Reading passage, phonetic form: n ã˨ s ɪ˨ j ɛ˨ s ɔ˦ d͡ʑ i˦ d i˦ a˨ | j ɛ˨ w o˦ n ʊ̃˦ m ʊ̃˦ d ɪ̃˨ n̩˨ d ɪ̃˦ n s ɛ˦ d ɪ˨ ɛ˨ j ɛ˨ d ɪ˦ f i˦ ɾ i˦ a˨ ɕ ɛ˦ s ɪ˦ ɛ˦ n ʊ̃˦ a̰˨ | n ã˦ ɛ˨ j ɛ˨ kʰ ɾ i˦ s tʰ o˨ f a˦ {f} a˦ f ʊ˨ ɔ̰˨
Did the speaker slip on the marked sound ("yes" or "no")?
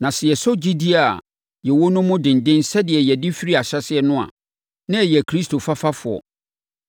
no